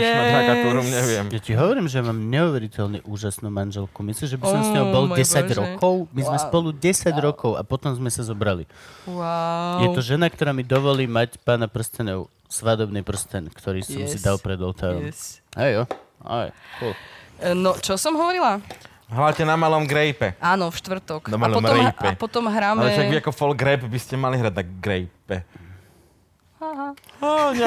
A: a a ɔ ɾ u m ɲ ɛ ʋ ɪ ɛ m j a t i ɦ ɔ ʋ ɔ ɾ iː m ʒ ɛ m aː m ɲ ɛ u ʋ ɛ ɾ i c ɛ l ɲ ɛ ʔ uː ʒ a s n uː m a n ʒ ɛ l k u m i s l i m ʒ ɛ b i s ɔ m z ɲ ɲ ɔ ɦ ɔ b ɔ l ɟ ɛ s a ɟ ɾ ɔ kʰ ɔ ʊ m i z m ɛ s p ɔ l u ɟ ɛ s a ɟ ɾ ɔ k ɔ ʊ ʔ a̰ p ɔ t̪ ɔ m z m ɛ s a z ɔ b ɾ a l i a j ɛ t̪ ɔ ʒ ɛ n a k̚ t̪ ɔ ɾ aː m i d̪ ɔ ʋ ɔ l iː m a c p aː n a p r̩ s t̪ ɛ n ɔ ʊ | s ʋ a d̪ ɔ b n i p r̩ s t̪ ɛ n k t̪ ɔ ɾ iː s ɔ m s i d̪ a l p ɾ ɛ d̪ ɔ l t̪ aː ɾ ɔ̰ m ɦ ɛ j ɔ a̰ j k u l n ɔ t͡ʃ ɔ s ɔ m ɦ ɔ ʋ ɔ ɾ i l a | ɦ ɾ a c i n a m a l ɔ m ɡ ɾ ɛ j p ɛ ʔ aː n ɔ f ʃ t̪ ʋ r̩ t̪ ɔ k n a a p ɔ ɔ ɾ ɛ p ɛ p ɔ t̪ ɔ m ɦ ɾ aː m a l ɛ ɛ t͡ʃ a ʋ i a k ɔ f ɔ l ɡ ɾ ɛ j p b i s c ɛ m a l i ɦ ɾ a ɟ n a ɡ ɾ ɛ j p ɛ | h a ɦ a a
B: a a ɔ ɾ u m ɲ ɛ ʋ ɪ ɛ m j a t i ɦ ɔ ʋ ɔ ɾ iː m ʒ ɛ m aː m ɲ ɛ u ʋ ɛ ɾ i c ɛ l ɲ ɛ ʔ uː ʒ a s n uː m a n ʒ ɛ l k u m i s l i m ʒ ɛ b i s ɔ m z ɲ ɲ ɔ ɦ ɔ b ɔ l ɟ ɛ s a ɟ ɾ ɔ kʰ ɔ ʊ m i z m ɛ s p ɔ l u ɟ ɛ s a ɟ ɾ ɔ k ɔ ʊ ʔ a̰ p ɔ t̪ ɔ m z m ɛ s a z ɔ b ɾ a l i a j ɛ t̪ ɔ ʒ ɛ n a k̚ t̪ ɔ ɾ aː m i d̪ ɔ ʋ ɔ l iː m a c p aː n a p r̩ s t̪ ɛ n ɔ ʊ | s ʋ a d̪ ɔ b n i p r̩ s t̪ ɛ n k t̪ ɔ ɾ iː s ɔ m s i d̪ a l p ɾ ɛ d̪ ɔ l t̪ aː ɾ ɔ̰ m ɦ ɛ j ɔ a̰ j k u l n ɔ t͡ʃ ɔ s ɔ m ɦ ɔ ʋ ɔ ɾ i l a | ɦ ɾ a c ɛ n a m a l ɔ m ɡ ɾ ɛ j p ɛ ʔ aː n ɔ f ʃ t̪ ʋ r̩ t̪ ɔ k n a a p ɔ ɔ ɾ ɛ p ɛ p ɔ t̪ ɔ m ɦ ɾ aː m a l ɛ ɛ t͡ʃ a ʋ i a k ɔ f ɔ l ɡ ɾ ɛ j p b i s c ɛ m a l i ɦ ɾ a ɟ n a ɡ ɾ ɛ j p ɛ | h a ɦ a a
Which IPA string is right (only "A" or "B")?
B